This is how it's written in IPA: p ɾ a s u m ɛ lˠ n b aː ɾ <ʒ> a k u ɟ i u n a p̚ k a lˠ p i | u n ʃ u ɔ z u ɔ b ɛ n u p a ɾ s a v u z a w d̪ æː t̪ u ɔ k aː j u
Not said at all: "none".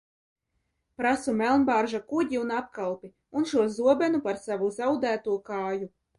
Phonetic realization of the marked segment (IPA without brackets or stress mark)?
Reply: ʒ